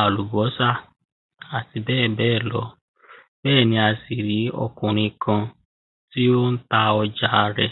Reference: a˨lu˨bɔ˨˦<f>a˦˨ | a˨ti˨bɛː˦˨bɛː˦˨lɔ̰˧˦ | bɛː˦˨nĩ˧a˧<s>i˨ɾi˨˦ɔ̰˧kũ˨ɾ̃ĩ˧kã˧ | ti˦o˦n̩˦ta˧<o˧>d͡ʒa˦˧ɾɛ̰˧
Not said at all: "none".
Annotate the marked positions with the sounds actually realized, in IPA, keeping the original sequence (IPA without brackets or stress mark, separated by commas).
s, s, ɔ˧